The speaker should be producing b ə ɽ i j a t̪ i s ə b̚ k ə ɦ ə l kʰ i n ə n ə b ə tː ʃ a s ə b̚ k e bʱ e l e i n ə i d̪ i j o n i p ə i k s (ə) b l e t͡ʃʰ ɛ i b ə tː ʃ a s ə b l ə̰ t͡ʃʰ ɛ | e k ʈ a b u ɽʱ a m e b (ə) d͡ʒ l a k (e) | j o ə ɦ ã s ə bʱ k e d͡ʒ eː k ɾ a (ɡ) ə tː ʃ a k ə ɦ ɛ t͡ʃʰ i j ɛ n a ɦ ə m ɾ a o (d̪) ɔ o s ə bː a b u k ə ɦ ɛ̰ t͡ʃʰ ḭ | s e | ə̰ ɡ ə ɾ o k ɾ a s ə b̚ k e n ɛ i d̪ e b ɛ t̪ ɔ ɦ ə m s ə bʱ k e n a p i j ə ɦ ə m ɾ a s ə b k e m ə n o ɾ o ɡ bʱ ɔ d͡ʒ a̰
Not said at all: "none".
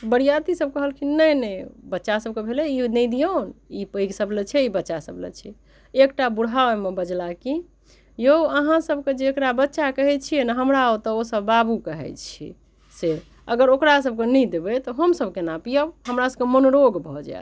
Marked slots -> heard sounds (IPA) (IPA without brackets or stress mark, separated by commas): ə, ə, i, b, t̪